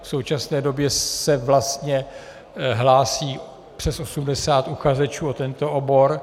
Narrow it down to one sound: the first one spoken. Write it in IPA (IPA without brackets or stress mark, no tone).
f